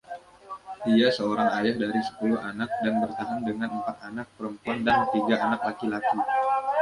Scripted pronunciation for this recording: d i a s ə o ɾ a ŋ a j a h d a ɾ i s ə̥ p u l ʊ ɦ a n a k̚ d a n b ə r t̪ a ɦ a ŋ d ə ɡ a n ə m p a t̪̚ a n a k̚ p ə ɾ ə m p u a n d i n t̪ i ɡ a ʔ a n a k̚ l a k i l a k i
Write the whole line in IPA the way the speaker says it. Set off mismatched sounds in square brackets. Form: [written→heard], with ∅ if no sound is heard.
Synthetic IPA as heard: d i a s ə o ɾ a ŋ a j a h d a ɾ i s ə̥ p u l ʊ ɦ a n a k̚ d a n b ə r t̪ a ɦ a ŋ d ə [ɡ→ŋ] a n ə m p a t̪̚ a n a k̚ p ə ɾ ə m p u a n d [i→a] n t̪ i ɡ a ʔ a n a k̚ l a k i l a k i

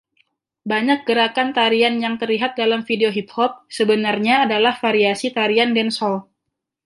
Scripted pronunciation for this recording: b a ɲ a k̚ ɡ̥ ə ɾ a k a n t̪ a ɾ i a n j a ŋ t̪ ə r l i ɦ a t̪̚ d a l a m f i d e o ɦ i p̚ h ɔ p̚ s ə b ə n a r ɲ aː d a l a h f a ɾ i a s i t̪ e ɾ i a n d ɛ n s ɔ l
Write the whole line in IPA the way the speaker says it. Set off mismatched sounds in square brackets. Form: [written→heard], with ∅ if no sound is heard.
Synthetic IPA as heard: b a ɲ a k̚ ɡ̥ ə ɾ a k a n t̪ a ɾ i a n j a ŋ t̪ ə r l i ɦ a t̪̚ d a l a m f i d e o ɦ i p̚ h ɔ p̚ s ə b ə n a r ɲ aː d a l a h f a ɾ i a s i t̪ [e→a] ɾ i a n d ɛ n s ɔ l

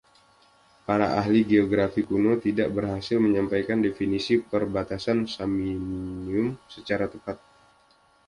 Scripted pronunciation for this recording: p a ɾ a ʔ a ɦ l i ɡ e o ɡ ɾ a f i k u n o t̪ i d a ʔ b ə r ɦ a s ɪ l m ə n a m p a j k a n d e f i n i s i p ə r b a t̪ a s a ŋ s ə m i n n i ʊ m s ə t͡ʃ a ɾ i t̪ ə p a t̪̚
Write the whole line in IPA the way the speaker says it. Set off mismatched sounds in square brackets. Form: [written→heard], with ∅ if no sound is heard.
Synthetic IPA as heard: p a ɾ a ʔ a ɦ l i ɡ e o ɡ ɾ a f i k u n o t̪ i d a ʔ b ə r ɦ a s ɪ l m ə [n→ɲ] a m p a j k a n d e f i n i s i p ə r b a t̪ a s a [ŋ→n] s [ə→a] m i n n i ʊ m s ə t͡ʃ a ɾ [i→a] t̪ ə p a t̪̚

